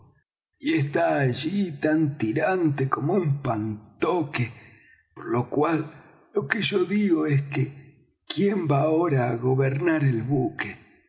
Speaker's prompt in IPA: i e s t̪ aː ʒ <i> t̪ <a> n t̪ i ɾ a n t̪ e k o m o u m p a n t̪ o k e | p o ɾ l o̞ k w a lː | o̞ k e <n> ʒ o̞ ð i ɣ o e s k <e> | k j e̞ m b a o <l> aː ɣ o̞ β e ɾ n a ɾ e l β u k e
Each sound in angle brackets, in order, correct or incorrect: correct, correct, incorrect, correct, incorrect

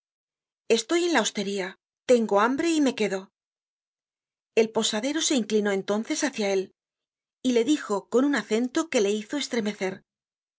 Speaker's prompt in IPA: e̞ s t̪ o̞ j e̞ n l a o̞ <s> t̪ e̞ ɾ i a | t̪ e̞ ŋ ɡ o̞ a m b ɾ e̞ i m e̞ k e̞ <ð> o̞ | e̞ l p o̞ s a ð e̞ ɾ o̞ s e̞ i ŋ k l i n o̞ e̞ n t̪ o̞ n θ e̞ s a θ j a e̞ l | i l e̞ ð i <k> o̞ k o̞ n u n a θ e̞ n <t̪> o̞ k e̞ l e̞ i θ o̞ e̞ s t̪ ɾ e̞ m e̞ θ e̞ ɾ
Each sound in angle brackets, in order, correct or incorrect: correct, correct, incorrect, correct

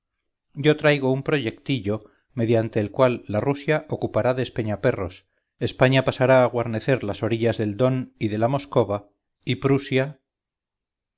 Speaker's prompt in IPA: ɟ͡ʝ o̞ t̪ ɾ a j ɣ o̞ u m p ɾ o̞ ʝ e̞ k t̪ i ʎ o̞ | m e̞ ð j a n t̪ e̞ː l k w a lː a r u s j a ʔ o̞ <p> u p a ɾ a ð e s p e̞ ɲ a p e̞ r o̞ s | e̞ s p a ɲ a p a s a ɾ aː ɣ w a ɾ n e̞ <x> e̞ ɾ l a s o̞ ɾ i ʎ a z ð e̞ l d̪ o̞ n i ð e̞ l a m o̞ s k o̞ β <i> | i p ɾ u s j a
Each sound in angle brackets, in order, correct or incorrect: incorrect, incorrect, incorrect

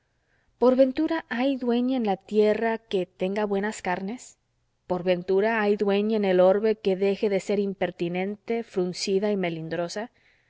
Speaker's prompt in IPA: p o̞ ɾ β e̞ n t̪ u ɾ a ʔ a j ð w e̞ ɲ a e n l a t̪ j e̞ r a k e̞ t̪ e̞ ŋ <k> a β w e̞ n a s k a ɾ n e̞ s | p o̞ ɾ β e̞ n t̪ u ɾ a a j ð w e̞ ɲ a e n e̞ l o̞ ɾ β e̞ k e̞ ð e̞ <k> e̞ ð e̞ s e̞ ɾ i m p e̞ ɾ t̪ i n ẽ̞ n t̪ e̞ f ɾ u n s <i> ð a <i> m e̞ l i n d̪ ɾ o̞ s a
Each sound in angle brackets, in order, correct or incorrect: incorrect, incorrect, correct, correct

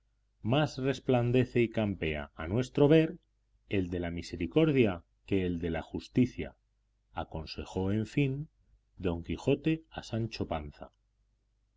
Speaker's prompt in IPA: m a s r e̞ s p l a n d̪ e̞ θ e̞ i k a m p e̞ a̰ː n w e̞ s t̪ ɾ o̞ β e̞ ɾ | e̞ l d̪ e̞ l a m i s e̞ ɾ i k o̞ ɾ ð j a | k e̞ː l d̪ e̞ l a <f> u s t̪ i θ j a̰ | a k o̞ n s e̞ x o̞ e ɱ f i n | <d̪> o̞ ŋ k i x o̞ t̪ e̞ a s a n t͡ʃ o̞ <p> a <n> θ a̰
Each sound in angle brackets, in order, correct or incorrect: incorrect, correct, correct, correct

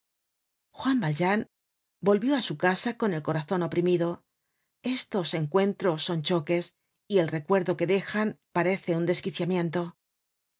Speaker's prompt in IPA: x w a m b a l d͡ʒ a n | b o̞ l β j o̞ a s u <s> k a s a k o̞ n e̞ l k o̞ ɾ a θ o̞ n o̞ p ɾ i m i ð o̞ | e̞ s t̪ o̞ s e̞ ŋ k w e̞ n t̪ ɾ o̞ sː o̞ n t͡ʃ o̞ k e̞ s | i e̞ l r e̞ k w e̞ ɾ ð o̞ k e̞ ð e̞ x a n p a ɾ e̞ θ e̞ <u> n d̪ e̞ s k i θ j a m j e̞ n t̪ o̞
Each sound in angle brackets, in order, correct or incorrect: incorrect, correct

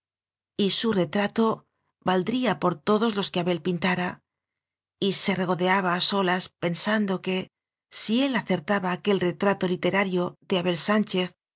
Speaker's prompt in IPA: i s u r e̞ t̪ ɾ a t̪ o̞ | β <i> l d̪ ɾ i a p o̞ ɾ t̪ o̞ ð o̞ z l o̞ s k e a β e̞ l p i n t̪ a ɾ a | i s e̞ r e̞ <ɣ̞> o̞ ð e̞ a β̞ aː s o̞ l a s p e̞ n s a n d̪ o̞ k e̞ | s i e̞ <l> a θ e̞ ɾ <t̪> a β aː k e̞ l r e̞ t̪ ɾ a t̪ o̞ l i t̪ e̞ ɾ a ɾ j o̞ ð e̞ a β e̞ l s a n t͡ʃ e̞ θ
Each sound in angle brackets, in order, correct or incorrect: incorrect, correct, correct, correct

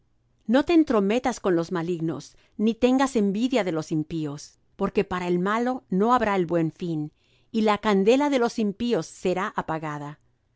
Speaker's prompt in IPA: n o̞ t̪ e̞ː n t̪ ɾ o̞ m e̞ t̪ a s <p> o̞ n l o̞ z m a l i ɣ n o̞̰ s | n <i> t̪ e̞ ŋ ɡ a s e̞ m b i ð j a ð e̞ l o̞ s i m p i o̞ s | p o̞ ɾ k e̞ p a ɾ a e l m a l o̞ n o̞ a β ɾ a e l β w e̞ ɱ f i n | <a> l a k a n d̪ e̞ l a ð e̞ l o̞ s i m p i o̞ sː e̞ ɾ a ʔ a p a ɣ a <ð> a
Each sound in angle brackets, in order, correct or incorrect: incorrect, correct, incorrect, correct

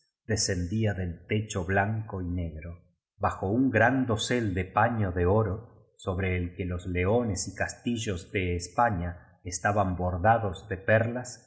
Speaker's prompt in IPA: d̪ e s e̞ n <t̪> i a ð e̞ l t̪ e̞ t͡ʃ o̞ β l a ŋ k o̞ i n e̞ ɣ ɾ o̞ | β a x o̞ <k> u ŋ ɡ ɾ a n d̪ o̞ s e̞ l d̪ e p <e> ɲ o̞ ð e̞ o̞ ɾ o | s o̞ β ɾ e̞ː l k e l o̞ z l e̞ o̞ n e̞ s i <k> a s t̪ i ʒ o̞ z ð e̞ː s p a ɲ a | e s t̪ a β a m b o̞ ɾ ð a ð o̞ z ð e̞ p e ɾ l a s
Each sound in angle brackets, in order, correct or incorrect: incorrect, incorrect, incorrect, correct

